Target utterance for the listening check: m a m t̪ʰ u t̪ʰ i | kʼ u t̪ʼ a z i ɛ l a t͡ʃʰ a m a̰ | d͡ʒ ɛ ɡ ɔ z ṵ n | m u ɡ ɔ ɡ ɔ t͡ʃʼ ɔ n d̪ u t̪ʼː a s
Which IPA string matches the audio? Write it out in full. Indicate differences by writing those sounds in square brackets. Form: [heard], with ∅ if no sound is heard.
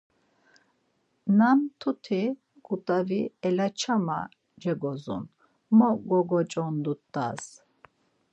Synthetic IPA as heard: [n] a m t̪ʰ u t̪ʰ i | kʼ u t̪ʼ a [v] i ɛ l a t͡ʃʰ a m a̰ | d͡ʒ ɛ ɡ ɔ z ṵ n | m [ɔ] ɡ ɔ ɡ ɔ t͡ʃʼ ɔ n d̪ u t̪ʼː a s